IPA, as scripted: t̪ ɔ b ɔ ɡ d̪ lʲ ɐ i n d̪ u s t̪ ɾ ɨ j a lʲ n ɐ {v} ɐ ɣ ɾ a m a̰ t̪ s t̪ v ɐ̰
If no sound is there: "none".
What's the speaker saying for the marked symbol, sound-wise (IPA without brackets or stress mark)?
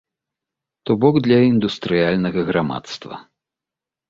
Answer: ɣ